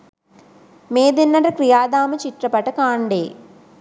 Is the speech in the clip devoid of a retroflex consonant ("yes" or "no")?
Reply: no